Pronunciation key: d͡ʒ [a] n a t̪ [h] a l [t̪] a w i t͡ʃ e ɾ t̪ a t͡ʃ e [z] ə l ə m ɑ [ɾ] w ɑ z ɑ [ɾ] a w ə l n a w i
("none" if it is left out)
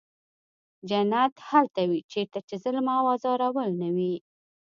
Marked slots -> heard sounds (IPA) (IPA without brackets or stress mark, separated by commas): a, h, t̪, z, none, ɾ